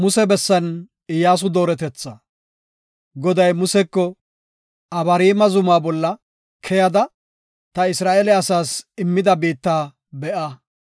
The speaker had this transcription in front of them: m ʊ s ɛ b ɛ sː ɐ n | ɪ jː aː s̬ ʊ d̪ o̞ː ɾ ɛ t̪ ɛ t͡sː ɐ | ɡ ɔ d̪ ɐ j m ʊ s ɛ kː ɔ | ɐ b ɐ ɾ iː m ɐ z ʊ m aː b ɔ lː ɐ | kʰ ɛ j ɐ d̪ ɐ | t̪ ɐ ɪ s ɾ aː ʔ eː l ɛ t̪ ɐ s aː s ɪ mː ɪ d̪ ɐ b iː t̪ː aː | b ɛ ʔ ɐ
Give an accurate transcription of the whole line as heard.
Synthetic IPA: m ʊ s ɛ b ɛ sː ɐ n | ɪ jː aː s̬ ʊ d̪ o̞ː ɾ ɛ t̪ ɛ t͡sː ɐ | ɡ ɔ d̪ ɐ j m ʊ s ɛ kː ɔ | ɐ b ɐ ɾ iː m ɐ z ʊ m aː b ɔ lː ɐ | kʰ ɛ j ɐ d̪ ɐ | t̪ ɐ ɪ s ɾ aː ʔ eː l ɛ ɐ s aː s ɪ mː ɪ d̪ ɐ b iː t̪ː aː | b ɛ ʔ ɐ